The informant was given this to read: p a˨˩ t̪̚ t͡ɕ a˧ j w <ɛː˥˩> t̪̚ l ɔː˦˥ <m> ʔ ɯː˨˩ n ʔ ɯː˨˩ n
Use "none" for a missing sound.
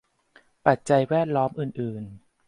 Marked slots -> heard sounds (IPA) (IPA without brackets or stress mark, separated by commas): ɛː˥˩, m